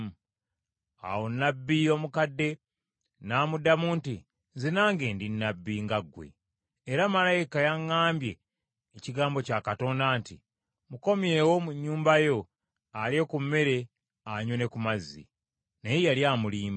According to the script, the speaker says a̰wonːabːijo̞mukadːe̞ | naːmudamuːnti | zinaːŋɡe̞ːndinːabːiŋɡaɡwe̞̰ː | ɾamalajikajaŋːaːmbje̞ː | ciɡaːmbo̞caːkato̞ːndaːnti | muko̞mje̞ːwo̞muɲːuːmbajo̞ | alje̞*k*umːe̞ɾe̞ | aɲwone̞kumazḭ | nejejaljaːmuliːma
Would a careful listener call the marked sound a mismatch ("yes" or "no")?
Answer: no